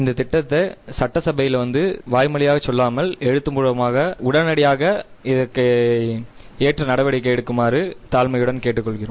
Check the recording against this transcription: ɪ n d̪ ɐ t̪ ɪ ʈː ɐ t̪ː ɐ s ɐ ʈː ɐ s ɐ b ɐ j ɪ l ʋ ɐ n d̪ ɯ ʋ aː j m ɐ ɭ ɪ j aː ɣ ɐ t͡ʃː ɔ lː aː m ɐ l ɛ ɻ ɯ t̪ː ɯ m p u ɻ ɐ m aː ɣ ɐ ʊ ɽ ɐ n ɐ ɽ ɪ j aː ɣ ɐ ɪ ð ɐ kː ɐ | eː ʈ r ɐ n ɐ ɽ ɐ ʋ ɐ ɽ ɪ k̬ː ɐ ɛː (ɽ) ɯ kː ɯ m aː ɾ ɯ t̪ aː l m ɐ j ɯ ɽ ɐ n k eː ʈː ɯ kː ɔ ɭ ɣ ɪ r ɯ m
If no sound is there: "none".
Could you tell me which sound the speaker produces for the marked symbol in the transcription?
ɽ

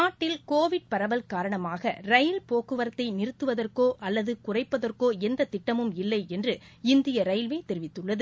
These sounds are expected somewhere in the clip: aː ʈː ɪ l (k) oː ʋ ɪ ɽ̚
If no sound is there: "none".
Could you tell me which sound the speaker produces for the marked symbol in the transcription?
k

